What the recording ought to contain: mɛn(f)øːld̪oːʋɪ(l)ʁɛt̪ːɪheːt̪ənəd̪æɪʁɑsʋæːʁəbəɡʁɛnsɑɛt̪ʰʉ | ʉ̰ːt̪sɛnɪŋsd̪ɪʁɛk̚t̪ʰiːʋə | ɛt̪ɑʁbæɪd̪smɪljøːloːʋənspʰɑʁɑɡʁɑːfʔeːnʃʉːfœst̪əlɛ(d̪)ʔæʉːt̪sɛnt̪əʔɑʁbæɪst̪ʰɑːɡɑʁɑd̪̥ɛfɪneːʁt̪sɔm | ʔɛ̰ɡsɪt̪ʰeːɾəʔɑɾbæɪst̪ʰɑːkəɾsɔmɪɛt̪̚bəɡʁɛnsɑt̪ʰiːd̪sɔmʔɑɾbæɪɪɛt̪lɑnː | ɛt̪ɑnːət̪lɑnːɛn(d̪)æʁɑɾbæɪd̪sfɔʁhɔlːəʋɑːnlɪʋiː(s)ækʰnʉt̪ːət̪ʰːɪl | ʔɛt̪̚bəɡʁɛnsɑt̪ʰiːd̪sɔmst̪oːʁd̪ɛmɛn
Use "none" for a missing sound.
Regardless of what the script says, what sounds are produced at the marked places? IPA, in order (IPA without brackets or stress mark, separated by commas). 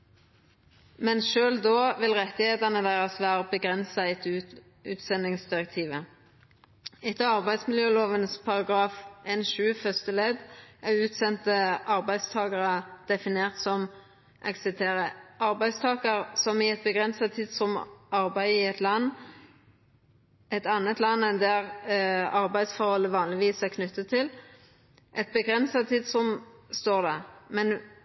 ʃ, l, d̪, d̪, s